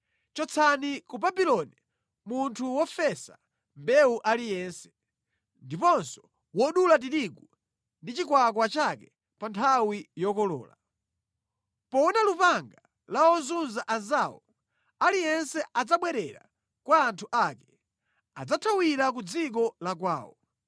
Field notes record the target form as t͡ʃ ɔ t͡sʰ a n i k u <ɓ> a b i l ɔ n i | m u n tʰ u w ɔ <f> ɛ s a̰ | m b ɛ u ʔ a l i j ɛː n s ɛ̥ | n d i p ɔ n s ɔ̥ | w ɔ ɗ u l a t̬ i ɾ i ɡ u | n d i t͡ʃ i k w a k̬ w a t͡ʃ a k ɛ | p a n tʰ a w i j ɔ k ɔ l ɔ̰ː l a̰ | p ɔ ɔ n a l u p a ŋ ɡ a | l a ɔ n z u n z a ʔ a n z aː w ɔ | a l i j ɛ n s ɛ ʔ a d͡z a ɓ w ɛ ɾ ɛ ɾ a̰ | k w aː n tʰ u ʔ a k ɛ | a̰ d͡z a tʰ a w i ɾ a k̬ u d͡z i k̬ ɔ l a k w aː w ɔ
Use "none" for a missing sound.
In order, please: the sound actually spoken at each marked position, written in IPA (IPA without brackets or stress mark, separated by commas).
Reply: b, f